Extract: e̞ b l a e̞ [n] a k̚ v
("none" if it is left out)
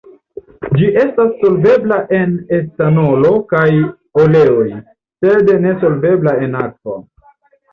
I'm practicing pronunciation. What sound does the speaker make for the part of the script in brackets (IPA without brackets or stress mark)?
n